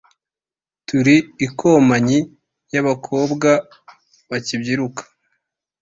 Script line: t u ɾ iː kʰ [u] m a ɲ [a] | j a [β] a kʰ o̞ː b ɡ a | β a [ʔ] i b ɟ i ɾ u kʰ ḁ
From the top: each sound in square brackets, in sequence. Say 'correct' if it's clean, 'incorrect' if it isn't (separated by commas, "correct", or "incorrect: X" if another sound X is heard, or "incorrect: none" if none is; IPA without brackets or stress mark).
incorrect: o, incorrect: i, correct, incorrect: c